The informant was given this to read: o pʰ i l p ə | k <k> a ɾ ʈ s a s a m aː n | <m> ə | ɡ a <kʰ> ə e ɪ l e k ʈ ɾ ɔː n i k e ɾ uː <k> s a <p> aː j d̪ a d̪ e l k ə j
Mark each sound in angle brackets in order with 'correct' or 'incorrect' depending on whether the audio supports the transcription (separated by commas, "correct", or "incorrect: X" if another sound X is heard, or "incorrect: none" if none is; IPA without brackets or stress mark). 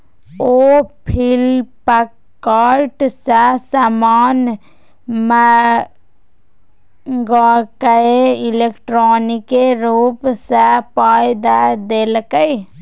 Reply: correct, correct, incorrect: k, incorrect: p, correct